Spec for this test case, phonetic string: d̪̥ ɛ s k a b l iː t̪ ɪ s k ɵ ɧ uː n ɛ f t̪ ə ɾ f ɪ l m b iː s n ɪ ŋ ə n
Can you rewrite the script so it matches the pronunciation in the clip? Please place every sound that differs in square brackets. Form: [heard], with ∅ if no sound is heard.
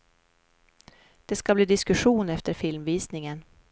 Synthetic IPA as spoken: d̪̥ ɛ s k a b l iː [d̪] ɪ s k ɵ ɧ uː n ɛ f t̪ ə ɾ f ɪ l m [v] iː s n ɪ ŋ ə n